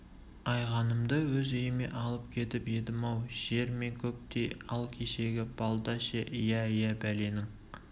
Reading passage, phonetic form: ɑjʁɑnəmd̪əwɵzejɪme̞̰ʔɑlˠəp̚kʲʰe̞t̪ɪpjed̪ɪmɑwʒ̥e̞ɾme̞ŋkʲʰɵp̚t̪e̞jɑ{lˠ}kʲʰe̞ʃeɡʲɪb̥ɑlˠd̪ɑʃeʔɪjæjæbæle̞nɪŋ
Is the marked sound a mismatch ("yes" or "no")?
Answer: no